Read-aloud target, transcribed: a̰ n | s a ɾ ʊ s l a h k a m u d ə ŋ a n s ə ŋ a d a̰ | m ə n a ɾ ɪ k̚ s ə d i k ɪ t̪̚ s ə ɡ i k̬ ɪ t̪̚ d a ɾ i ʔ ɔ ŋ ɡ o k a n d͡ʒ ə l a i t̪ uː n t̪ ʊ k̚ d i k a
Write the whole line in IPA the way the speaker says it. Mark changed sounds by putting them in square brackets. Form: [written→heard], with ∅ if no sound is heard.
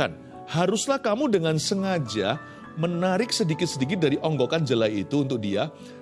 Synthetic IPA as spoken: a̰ n | [s→h] a ɾ ʊ s l a h k a m u d ə ŋ a n s ə ŋ a [d→d͡ʒ] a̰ | m ə n a ɾ ɪ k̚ s ə d i k ɪ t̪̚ s ə [ɡ→d] i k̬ ɪ t̪̚ d a ɾ i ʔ ɔ ŋ ɡ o k a n d͡ʒ ə l a i t̪ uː n t̪ ʊ k̚ d i [k→∅] a